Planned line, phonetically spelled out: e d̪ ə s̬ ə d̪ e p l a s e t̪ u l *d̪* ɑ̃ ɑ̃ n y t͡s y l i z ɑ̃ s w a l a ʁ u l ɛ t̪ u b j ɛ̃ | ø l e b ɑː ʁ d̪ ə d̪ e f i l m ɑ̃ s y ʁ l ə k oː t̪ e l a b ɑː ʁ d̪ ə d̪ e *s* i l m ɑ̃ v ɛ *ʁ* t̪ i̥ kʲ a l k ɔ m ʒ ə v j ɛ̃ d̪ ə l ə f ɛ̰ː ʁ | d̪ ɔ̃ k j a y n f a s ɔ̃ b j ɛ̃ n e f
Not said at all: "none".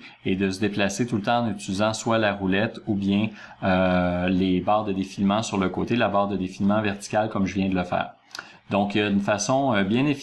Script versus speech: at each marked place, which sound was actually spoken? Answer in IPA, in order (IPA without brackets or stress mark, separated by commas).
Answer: t̪, f, ʁ